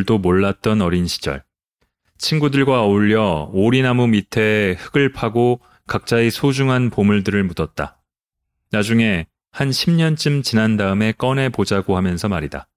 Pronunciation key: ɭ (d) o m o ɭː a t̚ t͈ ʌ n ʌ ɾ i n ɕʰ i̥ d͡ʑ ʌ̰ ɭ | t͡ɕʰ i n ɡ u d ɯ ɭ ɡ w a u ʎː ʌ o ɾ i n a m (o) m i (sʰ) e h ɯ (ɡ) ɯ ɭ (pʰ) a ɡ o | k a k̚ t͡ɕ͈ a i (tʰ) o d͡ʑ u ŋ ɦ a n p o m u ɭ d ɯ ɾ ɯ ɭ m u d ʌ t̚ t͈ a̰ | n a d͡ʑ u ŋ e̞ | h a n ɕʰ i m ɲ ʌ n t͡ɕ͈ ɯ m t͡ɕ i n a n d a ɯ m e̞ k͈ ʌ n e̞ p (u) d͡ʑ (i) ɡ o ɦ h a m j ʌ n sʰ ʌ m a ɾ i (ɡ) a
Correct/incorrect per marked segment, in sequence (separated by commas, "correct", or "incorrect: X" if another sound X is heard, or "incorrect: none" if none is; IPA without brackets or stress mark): correct, incorrect: u, incorrect: tʰ, correct, correct, incorrect: sʰ, incorrect: o, incorrect: a, incorrect: d